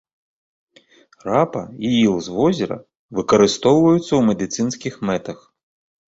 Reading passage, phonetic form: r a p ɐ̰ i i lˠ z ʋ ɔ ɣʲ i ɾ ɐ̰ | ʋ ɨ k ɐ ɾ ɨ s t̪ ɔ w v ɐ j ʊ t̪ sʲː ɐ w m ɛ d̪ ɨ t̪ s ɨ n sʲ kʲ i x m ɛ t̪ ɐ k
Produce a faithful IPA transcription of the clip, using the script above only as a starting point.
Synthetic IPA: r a p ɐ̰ i i lˠ z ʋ ɔ zʲ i ɾ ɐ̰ | ʋ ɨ k ɐ ɾ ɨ s t̪ ɔ w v ɐ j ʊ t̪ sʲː ɐ w m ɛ d̪ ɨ t̪ s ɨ n sʲ kʲ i x m ɛ t̪ ɐ x